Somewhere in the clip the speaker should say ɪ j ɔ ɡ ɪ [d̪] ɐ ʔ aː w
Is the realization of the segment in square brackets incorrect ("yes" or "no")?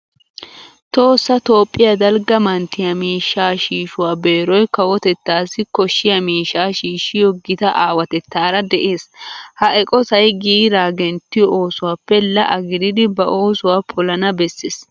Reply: yes